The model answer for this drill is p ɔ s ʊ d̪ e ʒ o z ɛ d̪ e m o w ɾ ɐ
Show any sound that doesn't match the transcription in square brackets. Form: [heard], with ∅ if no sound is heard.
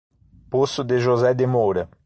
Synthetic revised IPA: p [o] s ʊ d̪ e ʒ o z ɛ d̪ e m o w ɾ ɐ

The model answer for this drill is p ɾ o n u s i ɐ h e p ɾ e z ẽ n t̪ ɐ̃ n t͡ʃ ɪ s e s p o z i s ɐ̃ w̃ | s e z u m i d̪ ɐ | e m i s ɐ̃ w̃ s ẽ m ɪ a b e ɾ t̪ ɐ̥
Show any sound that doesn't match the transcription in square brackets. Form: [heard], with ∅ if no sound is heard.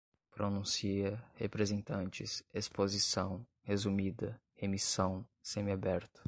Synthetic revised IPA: p ɾ o n [ũ] s i ɐ h e p ɾ e z ẽ n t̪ ɐ̃ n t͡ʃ ɪ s e s p o z i s ɐ̃ w̃ | [h] e z u m i d̪ ɐ | e m i s ɐ̃ w̃ s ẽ m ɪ a b [ɛ] ɾ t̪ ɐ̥

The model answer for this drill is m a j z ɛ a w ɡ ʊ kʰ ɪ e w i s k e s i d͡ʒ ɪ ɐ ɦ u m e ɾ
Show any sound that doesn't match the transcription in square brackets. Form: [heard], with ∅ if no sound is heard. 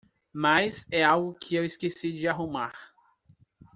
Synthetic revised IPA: m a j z ɛ a w ɡ ʊ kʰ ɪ e w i s k e s i d͡ʒ ɪ [a] ɦ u m [a] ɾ

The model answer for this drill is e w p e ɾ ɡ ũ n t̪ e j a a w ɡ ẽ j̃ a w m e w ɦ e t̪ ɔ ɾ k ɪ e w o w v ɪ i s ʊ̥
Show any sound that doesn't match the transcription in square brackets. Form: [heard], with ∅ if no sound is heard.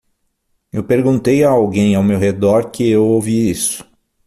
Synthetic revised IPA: e w p e ɾ ɡ ũ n t̪ e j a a w ɡ ẽ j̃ a w m e w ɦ e [d̪] ɔ ɾ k ɪ e w o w v [i] i s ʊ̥

